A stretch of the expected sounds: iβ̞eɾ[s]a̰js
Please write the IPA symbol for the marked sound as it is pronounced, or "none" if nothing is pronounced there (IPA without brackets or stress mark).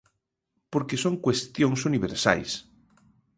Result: s